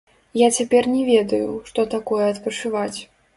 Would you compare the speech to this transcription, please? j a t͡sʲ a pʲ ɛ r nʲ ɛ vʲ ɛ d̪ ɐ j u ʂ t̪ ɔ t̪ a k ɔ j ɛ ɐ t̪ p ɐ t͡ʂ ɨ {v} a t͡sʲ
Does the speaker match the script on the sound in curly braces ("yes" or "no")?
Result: yes